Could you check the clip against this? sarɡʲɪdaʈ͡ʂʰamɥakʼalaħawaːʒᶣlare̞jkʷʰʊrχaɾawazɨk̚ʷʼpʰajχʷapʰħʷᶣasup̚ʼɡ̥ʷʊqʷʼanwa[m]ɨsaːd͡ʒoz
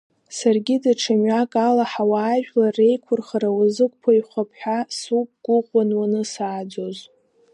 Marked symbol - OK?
no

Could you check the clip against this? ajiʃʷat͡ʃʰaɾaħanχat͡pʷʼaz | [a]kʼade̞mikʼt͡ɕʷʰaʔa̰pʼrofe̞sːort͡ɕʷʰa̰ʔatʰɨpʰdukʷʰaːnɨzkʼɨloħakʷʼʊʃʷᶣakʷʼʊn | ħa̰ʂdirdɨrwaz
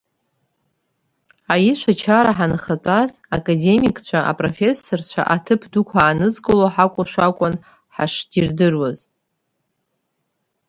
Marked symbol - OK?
yes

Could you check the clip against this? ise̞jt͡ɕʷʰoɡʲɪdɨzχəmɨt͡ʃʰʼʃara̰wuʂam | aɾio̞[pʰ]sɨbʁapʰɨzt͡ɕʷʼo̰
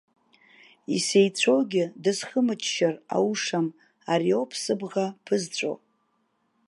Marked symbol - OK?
yes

